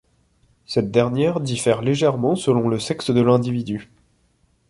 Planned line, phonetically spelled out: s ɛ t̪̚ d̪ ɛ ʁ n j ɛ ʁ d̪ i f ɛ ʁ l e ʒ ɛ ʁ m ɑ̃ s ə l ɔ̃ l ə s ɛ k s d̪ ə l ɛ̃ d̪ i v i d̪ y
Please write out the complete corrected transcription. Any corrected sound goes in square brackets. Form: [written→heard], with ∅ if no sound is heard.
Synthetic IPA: s ɛ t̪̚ d̪ ɛ ʁ n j ɛ ʁ d̪ i f ɛ ʁ l e ʒ ɛ ʁ m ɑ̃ s ə l ɔ̃ l ə s ɛ k s d̪ ə l ɛ̃ d̪ i v i d̪ y